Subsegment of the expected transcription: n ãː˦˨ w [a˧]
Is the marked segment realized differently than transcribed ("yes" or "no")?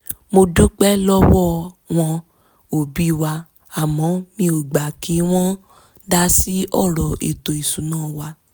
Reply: no